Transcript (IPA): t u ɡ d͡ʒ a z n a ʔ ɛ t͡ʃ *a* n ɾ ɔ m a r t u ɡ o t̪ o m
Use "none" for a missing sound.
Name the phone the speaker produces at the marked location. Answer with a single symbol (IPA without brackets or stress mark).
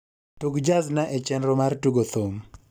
ɛ